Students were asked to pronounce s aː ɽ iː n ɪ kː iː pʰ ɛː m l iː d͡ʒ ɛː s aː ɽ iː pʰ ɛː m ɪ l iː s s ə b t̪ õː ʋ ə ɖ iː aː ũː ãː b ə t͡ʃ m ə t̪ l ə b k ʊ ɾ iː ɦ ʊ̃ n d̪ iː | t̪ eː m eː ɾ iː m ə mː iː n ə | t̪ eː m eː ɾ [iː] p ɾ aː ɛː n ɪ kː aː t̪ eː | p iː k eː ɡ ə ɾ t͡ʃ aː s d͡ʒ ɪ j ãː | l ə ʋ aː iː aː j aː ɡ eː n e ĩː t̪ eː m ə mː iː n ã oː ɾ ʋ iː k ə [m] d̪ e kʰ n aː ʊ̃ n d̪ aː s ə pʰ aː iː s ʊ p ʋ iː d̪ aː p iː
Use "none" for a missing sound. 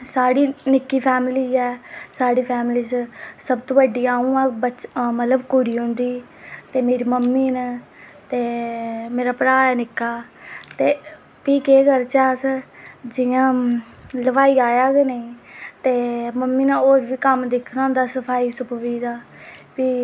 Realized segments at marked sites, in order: aː, m

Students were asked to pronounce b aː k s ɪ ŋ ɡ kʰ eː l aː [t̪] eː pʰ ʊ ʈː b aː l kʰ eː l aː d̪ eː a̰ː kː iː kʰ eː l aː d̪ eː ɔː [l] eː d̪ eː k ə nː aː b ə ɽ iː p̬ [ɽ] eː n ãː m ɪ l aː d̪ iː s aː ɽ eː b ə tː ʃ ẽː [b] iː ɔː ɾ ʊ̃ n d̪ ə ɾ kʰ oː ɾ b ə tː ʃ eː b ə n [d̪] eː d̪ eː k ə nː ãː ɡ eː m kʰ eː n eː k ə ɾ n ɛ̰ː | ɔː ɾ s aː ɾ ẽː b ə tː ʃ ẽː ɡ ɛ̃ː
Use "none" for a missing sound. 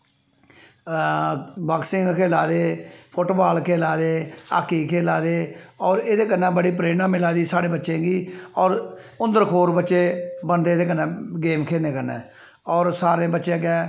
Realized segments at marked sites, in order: d̪, ɾ, ɾ, ɡ, d̪

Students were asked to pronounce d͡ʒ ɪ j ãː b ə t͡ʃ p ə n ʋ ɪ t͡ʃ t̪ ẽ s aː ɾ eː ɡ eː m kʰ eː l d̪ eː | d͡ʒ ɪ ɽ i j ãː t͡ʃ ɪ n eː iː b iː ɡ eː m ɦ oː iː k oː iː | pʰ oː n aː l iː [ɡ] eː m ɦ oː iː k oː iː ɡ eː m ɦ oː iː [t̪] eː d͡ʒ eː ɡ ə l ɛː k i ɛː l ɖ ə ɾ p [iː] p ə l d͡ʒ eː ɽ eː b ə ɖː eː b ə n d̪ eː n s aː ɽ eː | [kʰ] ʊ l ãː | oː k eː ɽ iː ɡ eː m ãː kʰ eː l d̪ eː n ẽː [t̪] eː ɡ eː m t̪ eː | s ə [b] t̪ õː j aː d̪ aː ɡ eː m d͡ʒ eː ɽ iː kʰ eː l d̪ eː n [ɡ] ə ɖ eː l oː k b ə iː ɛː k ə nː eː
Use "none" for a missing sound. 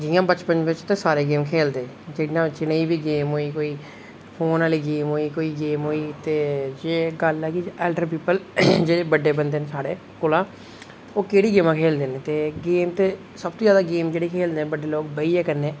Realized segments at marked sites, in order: ɡ, t̪, iː, k, t̪, b, b

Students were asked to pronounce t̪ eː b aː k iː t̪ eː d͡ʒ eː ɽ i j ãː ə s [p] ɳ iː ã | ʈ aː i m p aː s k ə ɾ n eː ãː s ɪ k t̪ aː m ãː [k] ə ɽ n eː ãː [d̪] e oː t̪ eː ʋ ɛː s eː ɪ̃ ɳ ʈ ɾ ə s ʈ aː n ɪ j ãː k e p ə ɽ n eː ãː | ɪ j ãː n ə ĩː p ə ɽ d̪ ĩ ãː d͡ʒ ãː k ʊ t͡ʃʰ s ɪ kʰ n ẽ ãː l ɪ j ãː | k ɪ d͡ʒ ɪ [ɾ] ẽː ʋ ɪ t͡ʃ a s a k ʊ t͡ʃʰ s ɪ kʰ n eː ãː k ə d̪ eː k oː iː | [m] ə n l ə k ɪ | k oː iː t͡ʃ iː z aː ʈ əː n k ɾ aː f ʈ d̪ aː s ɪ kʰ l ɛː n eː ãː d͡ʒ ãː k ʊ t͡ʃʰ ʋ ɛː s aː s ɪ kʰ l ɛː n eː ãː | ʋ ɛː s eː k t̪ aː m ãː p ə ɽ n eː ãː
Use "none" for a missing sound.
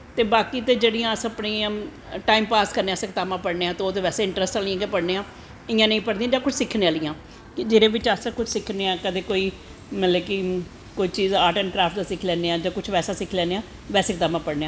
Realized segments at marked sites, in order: p, p, t̪, ɾ, m

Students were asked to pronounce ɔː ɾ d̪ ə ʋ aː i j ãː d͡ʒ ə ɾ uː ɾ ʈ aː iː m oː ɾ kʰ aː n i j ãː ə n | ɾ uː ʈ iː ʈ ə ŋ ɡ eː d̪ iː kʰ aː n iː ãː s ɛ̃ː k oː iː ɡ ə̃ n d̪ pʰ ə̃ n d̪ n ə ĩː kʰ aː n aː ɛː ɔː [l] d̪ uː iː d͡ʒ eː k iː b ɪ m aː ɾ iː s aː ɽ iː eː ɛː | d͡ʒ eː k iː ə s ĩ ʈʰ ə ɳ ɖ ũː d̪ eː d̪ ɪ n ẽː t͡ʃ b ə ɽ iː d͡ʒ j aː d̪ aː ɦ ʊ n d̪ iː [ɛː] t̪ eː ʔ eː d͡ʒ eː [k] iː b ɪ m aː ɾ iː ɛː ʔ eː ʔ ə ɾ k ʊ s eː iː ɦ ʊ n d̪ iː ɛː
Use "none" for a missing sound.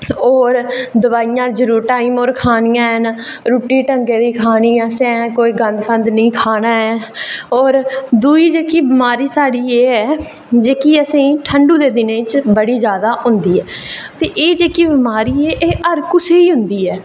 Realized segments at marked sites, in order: ɾ, ɛː, k

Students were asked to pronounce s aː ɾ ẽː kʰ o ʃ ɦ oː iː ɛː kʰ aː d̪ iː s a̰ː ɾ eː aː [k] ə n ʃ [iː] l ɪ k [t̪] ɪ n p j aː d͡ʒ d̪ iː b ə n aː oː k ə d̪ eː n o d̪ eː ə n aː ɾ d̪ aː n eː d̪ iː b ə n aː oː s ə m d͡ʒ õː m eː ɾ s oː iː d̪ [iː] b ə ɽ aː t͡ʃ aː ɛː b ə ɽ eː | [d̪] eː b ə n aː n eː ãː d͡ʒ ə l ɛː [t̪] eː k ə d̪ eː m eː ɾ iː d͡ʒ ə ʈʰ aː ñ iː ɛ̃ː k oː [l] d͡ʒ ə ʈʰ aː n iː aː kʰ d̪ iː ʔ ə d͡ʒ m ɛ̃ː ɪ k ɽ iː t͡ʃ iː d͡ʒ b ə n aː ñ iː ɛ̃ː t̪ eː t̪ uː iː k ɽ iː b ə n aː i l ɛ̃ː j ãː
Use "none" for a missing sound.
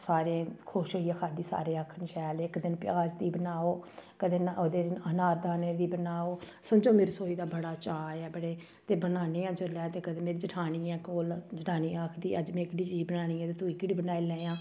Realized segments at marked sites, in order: kʰ, ɛː, d̪, aː, t̪, t̪, l

